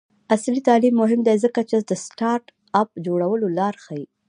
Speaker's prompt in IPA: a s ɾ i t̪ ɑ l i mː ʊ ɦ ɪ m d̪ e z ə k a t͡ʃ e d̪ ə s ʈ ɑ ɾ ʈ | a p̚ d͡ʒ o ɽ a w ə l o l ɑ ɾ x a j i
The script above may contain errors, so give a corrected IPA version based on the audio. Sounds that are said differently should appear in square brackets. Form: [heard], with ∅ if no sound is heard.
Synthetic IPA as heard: a s [l] i t̪ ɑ l i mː ʊ ɦ ɪ m d̪ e z ə k a t͡ʃ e d̪ ə s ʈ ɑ ɾ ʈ | a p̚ d͡ʒ o ɽ a w ə l o l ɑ ɾ x a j i